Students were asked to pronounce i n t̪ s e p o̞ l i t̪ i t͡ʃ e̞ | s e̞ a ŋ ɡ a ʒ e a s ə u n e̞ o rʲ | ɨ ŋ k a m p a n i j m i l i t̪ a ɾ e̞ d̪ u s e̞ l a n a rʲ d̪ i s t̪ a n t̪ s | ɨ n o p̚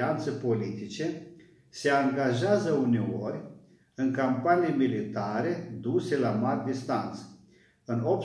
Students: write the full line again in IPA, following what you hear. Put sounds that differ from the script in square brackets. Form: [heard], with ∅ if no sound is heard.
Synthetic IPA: [a] n t̪ s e p o̞ l i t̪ i t͡ʃ e̞ | s e̞ a ŋ ɡ a ʒ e a [z] ə u n e̞ o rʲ | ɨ ŋ k a m p a n i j m i l i t̪ a ɾ e̞ d̪ u s e̞ l a [m] a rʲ d̪ i s t̪ a n t̪ s | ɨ n o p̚